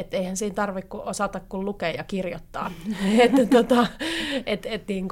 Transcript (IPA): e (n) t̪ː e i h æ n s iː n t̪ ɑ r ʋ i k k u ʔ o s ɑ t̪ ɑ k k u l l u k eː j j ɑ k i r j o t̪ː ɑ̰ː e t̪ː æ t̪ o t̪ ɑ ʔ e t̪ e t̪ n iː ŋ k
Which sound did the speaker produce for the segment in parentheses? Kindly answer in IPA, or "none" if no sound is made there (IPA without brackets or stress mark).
none